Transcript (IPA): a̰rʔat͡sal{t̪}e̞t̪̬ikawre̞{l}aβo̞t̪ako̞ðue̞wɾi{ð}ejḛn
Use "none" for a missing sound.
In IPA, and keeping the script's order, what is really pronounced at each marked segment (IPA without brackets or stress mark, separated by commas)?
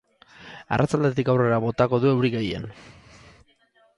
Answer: d̪, ɾ, ɣ